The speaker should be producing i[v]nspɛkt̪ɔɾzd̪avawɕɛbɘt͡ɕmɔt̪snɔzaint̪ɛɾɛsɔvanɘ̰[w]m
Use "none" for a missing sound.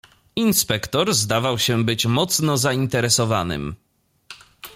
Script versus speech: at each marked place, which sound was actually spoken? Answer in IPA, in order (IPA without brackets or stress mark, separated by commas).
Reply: none, none